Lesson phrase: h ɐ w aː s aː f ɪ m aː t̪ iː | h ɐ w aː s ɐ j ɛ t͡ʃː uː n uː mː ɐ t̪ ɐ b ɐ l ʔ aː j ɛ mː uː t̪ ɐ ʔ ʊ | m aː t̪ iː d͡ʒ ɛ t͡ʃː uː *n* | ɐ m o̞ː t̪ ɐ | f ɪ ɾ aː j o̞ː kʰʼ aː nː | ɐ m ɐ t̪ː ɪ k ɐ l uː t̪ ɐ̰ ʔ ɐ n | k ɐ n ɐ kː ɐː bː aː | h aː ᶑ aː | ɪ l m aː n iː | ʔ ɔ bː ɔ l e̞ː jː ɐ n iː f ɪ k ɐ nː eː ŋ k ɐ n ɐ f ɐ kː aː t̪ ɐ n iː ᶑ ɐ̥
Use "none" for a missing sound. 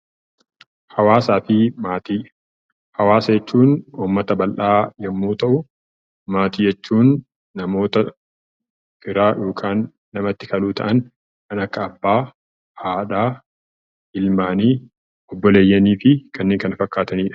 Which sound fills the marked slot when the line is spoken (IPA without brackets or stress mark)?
nː